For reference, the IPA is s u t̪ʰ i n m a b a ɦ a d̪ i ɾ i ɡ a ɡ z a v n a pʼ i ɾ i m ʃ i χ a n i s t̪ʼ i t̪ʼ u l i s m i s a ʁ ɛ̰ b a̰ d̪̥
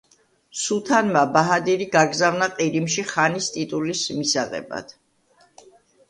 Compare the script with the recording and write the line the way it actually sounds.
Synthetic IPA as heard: s u t̪ʰ a n m a b a ɦ a d̪ i ɾ i ɡ a ɡ z a v n a qʼ i ɾ i m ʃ i χ a n i s t̪ʼ i t̪ʼ u l i s m i s a ʁ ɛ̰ b a̰ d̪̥